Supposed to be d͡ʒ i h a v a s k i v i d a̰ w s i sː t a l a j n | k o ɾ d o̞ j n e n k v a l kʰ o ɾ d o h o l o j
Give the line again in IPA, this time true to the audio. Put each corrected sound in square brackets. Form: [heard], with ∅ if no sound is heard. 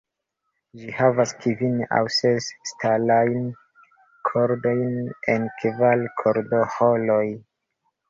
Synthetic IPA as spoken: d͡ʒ i h a v a s k i v i [n] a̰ w s [e] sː t a l a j n | [kʰ] o ɾ d o̞ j n e n k v a l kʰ o ɾ d o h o l o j